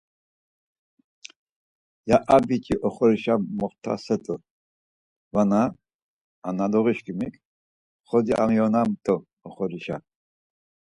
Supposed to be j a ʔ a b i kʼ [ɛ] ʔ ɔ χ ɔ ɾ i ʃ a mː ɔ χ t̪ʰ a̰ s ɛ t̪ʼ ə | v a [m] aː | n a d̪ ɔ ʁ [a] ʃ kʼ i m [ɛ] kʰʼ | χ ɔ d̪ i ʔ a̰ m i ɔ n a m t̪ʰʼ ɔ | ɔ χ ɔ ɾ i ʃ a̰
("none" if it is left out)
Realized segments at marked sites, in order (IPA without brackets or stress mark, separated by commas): i, n, i, i